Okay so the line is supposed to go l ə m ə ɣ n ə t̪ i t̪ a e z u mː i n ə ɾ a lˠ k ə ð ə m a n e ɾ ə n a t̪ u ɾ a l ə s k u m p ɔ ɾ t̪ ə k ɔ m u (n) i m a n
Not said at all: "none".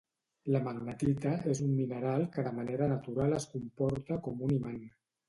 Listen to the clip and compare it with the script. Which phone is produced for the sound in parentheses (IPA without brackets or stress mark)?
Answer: n